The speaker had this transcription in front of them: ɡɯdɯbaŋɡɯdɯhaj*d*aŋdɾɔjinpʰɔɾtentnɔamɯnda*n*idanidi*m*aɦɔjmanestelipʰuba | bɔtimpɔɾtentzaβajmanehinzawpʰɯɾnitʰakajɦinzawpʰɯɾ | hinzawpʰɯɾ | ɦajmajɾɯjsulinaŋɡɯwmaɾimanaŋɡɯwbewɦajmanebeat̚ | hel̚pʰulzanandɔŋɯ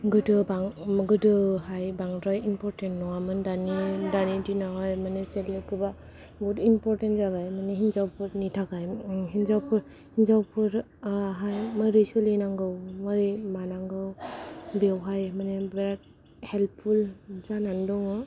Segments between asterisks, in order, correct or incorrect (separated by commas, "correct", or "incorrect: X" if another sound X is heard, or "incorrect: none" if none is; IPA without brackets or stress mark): incorrect: b, correct, incorrect: n